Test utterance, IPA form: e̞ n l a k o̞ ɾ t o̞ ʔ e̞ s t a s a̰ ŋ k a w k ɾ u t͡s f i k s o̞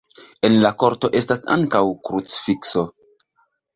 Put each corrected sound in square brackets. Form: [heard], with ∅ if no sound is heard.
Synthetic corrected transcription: e̞ n l a k o̞ ɾ t o̞ ʔ e̞ s t a s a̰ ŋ k a w k ɾ u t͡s f i k s o̞